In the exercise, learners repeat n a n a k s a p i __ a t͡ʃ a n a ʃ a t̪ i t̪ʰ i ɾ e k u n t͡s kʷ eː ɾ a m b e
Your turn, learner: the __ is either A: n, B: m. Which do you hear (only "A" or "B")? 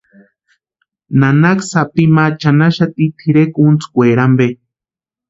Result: B